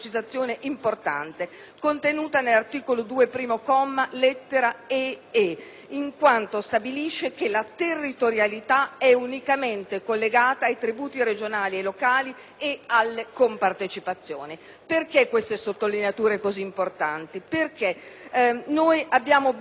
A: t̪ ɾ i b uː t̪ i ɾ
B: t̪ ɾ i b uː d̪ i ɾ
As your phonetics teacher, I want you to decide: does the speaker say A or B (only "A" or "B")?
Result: A